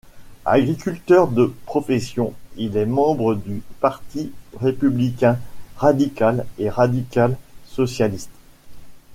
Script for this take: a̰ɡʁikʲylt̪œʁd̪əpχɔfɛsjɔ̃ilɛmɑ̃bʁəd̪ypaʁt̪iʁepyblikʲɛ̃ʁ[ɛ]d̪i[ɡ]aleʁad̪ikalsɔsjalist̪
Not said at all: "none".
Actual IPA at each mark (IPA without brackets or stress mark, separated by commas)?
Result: a, k